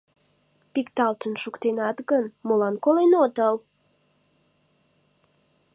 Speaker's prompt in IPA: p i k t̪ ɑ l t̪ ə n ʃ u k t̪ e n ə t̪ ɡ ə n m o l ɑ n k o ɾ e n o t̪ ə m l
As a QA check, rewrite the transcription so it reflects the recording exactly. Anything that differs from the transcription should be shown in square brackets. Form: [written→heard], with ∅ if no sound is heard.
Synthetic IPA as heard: p i k t̪ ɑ l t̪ ə n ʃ u k t̪ e n [ə→ɑ] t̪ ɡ ə n m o l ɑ n k o [ɾ→l] e n o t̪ ə [m→∅] l